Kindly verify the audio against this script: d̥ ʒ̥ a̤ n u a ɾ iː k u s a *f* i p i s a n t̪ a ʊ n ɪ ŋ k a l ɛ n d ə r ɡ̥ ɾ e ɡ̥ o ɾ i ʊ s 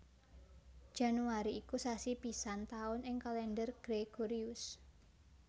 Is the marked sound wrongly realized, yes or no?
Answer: yes